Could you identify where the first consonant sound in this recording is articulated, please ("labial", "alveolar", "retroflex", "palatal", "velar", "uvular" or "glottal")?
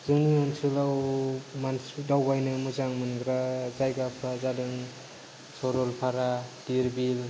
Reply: alveolar